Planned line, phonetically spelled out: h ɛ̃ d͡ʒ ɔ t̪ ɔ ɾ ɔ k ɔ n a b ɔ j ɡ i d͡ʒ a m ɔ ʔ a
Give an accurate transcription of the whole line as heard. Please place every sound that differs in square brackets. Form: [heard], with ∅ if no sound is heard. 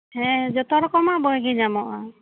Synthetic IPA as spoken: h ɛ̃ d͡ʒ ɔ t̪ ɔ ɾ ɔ k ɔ [m] a b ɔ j ɡ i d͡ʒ a m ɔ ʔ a